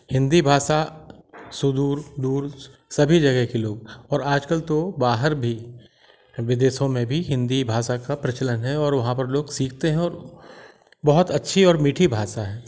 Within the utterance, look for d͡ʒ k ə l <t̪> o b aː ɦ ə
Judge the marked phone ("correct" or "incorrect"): correct